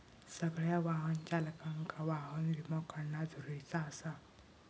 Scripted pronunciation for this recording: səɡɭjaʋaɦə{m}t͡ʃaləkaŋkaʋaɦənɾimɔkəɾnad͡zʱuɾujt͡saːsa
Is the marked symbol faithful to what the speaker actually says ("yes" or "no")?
no